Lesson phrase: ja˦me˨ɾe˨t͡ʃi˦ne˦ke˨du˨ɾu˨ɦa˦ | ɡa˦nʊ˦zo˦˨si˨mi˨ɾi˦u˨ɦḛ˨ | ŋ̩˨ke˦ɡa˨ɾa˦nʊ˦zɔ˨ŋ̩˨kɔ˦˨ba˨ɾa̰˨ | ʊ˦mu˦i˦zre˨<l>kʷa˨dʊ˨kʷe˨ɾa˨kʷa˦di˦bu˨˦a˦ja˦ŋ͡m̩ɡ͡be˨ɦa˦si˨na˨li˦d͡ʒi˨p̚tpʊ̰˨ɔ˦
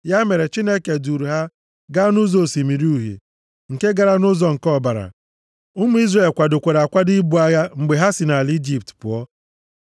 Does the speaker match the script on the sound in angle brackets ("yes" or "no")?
yes